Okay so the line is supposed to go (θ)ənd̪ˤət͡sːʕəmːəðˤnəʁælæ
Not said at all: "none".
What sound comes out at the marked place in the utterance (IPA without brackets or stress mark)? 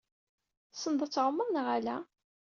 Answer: s